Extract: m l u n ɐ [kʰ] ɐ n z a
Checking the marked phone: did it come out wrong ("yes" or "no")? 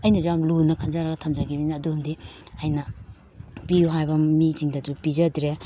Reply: no